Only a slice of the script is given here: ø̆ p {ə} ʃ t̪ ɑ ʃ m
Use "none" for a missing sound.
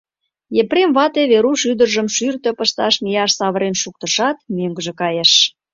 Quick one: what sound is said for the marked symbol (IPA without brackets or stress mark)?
ə